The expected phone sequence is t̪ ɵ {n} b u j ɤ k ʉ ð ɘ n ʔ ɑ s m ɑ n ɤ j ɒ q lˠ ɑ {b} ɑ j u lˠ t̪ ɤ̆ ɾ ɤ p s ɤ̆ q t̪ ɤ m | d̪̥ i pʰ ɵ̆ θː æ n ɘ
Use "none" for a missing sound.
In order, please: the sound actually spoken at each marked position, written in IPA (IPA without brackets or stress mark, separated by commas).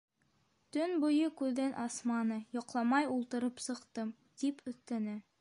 n, m